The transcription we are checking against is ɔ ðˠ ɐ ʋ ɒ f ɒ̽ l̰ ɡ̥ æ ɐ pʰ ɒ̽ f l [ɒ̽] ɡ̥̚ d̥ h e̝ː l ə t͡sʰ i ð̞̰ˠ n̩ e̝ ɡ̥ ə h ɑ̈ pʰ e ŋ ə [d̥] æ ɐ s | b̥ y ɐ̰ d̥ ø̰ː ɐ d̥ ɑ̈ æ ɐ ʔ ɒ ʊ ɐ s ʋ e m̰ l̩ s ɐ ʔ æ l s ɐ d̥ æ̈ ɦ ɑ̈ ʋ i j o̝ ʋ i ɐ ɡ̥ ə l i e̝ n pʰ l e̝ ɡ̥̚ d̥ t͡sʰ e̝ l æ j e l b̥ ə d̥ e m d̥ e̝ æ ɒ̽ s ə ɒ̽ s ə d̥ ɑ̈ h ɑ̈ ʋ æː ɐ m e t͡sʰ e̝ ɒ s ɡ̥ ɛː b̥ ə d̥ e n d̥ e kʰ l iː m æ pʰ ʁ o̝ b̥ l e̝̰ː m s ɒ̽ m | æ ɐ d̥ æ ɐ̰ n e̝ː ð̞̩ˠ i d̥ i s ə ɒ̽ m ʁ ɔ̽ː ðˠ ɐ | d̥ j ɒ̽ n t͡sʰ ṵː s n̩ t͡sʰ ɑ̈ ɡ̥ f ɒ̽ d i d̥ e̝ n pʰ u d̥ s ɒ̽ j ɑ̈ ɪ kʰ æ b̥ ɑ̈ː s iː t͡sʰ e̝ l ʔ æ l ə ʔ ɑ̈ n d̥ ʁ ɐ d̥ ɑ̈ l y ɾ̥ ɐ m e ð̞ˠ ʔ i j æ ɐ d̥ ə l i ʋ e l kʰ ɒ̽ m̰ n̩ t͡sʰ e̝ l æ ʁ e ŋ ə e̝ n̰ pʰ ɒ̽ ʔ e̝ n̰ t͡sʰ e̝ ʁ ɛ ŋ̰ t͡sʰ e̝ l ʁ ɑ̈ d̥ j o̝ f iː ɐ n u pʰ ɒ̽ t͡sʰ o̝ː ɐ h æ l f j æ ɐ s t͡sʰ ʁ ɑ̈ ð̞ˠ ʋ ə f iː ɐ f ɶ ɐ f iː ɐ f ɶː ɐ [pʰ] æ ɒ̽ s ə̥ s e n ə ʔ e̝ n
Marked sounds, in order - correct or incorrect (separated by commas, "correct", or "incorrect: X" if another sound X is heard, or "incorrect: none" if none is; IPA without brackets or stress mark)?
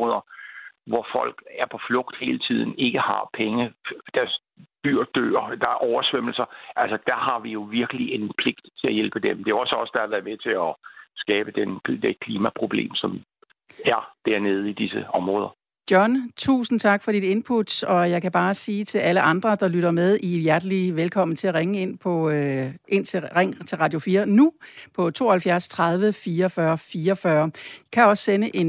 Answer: incorrect: ɔ̽, correct, incorrect: kʰ